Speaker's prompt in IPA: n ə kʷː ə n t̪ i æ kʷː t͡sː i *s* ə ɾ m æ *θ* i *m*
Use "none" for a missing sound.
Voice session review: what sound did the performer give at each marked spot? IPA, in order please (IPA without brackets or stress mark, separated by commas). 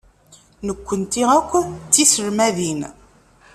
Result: s, ð, n